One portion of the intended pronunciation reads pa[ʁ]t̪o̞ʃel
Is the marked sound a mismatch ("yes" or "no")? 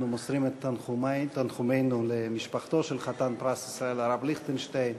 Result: yes